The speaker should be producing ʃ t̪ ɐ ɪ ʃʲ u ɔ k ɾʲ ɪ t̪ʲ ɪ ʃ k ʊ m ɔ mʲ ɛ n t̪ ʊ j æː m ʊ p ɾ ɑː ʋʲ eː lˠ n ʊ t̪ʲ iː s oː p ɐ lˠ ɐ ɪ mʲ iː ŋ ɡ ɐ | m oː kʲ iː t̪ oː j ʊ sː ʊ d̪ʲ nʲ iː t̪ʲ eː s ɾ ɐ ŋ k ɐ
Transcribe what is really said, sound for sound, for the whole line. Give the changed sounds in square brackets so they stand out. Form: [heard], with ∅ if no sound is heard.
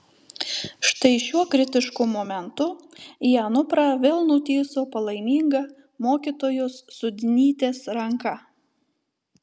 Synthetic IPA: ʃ t̪ ɐ ɪ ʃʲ u ɔ k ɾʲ ɪ t̪ʲ ɪ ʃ k ʊ m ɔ mʲ ɛ n t̪ ʊ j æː [n] ʊ p ɾ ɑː ʋʲ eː lˠ n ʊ t̪ʲ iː s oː p ɐ lˠ ɐ ɪ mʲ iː ŋ ɡ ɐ | m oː kʲ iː t̪ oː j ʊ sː ʊ d̪ʲ nʲ iː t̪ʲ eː s ɾ ɐ ŋ k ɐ